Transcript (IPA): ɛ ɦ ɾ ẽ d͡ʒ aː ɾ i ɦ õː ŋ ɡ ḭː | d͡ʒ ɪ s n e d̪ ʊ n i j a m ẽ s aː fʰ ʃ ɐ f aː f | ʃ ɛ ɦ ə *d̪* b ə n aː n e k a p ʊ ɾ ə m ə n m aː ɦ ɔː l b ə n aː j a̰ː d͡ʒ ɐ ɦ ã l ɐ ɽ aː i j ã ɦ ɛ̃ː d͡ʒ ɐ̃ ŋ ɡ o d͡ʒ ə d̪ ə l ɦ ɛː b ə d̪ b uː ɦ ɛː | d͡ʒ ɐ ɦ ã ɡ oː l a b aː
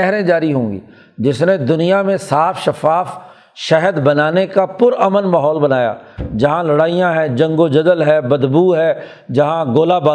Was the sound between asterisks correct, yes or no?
yes